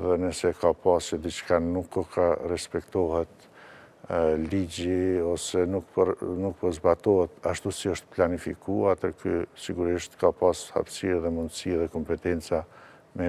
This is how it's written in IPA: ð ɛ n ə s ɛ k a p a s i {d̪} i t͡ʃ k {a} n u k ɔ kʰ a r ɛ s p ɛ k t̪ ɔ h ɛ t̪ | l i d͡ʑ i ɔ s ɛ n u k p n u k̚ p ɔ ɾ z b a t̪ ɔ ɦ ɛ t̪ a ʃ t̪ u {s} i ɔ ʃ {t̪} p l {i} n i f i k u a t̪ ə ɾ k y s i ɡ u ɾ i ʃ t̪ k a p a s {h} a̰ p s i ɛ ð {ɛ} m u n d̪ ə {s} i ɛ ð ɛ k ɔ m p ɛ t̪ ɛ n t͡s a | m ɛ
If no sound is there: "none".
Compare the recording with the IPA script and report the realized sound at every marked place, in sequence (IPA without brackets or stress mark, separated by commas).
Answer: d̪, a, s, t̪, a, h, ɛ, s